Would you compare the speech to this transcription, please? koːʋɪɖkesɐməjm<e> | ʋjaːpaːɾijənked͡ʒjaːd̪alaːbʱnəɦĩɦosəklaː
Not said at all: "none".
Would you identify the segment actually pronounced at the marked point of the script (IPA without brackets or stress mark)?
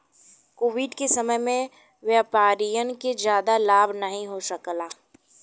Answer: ẽ